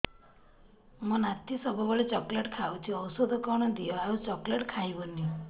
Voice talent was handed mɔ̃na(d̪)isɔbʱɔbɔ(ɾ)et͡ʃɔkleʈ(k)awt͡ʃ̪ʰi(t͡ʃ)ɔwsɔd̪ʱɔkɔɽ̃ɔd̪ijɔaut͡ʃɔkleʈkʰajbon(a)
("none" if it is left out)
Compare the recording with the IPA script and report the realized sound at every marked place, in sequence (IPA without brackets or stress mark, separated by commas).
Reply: t̪, ɭ, kʰ, none, i